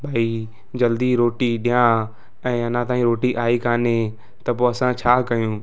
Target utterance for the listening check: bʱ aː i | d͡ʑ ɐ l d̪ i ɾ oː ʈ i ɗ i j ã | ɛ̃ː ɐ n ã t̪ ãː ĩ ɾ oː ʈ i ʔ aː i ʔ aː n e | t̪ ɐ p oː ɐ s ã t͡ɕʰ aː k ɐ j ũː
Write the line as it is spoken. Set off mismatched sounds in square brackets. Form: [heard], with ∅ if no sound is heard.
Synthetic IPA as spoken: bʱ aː i | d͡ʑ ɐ l d̪ i ɾ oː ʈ i ɗ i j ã | ɛ̃ː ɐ n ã t̪ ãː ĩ ɾ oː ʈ i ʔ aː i [k] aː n e | t̪ ɐ p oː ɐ s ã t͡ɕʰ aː k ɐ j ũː